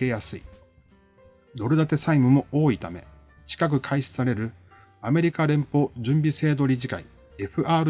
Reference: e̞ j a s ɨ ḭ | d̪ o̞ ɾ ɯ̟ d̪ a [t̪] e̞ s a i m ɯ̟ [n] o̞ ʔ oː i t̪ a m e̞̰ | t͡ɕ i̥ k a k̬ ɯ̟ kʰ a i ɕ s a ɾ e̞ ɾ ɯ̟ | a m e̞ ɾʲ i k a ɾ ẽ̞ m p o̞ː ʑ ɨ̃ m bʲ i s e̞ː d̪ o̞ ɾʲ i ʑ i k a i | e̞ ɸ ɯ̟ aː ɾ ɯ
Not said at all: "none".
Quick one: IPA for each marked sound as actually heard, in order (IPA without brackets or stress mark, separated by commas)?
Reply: t̪, m